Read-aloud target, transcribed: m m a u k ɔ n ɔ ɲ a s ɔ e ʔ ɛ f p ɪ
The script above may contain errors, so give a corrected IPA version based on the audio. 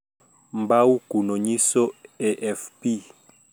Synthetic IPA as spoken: m b a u k u n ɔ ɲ i s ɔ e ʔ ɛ f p i